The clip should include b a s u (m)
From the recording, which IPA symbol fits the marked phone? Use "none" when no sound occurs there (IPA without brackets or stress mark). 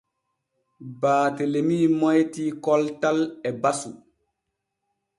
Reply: none